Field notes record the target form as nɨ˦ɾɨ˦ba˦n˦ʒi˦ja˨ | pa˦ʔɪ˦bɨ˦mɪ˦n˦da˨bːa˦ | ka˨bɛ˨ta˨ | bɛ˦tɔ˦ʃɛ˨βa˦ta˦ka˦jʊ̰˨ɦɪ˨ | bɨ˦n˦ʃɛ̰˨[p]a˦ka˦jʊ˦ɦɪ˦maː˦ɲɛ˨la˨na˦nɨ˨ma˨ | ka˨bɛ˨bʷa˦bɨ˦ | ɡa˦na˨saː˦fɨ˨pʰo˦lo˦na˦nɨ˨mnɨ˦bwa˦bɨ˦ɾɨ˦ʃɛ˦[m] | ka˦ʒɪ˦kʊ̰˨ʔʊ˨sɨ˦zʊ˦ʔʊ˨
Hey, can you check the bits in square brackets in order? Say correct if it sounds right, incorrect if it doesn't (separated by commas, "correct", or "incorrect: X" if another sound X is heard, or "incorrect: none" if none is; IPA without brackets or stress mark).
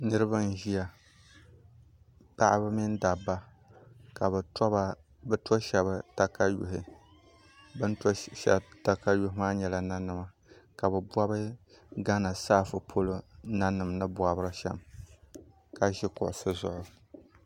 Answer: incorrect: t, correct